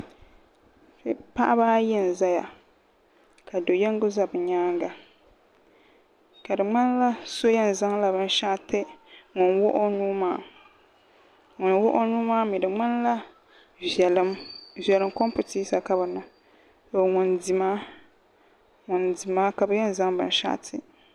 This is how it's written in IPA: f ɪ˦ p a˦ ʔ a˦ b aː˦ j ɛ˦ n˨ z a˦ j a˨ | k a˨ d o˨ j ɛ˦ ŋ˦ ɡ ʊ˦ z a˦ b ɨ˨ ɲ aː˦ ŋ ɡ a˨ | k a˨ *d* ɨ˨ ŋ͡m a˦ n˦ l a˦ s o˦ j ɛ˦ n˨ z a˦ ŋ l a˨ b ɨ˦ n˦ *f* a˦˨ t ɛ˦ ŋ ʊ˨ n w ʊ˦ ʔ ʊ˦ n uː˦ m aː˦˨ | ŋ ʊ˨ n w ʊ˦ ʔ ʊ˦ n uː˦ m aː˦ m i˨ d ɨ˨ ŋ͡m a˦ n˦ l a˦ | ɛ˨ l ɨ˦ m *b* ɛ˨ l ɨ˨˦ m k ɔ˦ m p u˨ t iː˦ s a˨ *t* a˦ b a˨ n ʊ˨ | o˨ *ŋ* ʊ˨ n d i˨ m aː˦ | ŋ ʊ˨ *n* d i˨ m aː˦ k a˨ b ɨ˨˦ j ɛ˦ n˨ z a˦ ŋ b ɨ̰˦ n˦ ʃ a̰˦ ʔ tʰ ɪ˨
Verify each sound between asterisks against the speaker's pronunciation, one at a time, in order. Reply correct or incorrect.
correct, incorrect, incorrect, incorrect, correct, correct

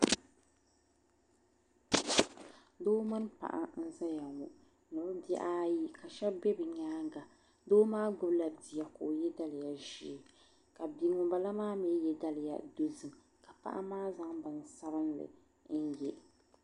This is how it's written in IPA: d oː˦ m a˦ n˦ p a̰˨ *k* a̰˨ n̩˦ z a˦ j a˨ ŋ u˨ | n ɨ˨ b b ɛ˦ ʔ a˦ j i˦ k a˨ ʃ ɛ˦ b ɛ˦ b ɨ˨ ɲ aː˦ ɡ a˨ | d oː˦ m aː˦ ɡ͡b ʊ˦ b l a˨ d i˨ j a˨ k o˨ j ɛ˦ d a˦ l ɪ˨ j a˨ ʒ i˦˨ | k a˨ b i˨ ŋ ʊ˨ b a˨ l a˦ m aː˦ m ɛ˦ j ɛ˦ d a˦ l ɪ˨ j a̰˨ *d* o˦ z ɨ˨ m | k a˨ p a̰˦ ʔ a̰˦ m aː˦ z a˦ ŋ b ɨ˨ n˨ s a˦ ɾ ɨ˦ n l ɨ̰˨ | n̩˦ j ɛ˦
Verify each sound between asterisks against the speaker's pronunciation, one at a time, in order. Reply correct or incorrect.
incorrect, correct

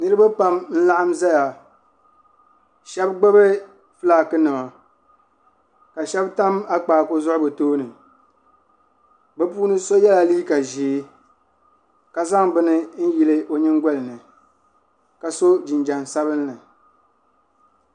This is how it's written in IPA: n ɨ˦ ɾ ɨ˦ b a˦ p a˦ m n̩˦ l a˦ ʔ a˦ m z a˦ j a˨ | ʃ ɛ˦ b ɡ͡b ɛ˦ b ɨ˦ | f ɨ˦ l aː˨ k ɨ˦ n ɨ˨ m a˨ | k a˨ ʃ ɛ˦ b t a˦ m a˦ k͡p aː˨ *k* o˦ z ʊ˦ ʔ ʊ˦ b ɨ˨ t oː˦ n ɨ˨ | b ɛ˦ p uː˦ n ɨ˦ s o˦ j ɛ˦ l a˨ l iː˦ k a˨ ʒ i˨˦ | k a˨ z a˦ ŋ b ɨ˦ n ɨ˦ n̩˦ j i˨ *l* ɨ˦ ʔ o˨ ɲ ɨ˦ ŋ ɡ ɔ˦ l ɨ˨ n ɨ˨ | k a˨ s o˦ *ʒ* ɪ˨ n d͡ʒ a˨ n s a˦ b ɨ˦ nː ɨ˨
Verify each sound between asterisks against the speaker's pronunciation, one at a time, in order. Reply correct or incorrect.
correct, correct, incorrect

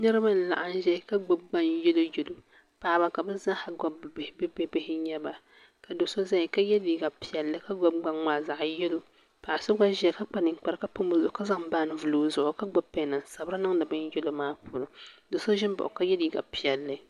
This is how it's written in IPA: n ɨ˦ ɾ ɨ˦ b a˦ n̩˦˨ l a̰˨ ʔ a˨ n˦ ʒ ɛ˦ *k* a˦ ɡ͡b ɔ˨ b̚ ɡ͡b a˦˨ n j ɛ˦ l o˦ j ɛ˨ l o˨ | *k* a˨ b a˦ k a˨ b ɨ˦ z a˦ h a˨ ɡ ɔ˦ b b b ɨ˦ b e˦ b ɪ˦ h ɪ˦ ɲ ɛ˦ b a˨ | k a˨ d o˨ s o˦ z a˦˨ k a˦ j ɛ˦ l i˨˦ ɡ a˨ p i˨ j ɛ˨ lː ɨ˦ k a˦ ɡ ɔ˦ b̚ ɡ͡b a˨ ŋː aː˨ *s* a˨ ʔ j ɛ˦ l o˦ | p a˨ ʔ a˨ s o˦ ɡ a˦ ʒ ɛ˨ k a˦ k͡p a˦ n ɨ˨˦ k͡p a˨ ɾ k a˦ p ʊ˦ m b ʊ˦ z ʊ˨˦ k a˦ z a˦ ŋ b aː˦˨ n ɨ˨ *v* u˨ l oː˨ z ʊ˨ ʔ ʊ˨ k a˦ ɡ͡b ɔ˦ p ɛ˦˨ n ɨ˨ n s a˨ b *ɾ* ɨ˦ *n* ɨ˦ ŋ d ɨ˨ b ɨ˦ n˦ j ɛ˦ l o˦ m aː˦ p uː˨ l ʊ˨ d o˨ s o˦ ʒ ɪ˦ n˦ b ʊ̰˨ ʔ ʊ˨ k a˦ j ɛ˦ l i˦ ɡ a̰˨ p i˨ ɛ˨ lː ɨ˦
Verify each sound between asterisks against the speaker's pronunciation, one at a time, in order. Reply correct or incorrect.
correct, incorrect, incorrect, correct, correct, correct

